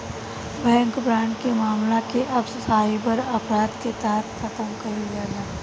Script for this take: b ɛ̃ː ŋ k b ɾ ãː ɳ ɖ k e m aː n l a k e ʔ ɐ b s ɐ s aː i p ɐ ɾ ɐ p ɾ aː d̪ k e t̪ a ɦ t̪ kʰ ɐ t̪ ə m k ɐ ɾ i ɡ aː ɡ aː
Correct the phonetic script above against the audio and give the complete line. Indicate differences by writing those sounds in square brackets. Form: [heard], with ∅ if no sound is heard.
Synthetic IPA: b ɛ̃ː ŋ k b ɾ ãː ɳ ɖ k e m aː [m] l a k e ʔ ɐ b s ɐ s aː i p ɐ ɾ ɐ p ɾ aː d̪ k e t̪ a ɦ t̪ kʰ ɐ t̪ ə m k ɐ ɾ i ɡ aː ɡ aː